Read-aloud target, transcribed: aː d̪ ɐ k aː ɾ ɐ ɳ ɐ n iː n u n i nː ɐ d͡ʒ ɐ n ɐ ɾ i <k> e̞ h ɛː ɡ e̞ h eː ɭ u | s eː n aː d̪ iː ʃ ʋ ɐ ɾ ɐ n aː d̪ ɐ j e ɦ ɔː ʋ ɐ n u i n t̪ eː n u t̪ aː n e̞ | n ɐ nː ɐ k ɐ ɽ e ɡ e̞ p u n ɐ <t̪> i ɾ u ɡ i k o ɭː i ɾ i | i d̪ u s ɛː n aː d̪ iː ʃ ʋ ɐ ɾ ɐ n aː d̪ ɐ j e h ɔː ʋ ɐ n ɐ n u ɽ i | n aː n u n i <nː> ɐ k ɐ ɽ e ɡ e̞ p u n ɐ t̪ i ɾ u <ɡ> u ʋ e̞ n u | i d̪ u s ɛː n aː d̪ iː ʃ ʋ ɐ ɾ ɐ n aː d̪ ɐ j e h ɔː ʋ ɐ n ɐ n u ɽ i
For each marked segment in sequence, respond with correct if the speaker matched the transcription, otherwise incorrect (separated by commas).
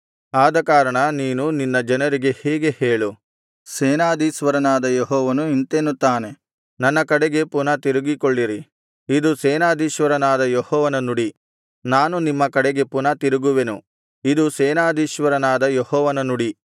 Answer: incorrect, correct, incorrect, correct